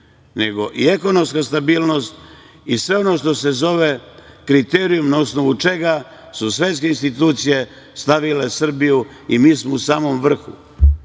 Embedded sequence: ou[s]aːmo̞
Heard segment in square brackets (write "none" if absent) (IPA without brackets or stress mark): s